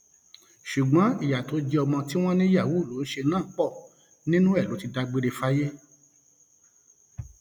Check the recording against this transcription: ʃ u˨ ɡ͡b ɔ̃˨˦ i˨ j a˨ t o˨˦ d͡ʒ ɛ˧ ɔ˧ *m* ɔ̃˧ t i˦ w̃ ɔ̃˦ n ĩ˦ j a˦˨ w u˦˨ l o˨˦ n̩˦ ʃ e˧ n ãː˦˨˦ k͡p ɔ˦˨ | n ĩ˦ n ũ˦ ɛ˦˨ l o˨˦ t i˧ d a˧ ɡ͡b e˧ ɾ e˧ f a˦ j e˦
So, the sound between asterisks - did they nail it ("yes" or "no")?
yes